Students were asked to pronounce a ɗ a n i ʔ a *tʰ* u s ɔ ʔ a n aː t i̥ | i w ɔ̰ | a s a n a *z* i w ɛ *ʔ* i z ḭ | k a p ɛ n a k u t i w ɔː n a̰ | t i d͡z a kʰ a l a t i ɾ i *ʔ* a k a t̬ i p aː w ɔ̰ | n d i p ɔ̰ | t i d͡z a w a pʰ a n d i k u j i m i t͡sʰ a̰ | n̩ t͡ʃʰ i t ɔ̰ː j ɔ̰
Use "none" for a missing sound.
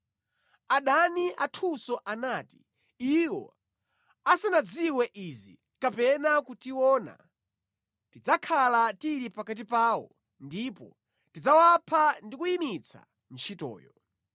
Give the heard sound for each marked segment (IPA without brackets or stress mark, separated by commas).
tʰ, d͡z, ʔ, p